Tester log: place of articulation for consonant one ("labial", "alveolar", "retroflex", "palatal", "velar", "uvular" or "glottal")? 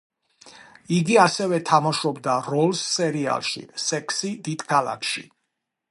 velar